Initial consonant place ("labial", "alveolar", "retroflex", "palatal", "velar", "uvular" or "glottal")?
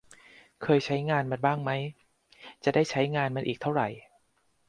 velar